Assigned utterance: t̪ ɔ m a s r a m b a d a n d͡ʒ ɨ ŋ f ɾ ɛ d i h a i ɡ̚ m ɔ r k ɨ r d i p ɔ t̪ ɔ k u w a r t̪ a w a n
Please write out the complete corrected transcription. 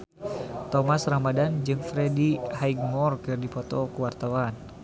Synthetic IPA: t̪ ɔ m a s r a m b a d a n d͡ʒ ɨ ŋ f ɾ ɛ d i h a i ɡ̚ m ɔ r k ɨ r d i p ɔ t̪ ɔ k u w a r t̪ a w a n